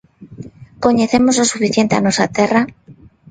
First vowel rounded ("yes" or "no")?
yes